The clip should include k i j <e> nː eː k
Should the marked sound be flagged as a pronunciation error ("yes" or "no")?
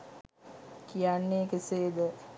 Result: yes